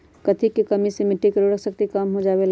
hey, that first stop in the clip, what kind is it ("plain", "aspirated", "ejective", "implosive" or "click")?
plain